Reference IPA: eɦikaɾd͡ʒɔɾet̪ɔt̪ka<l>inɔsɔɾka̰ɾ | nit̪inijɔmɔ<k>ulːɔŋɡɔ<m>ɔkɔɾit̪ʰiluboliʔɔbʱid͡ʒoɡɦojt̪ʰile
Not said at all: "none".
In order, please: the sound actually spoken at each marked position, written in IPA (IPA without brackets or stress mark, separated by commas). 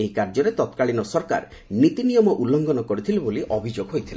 ɭ, ʔ, n